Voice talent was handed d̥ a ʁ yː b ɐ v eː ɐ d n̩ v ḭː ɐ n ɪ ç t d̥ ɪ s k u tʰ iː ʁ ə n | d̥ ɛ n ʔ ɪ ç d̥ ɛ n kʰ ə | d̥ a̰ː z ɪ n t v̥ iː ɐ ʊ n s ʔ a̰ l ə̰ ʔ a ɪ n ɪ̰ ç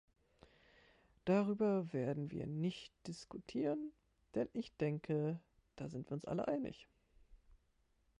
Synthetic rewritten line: d̥ a ʁ yː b ɐ v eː ɐ d n̩ v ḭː ɐ n ɪ ç t d̥ ɪ s k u tʰ iː ʁ ə n | d̥ ɛ n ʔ ɪ ç d̥ ɛ ŋ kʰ ə | d̥ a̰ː z ɪ n t v̥ iː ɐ ʊ n s ʔ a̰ l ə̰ ʔ a ɪ n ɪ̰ ç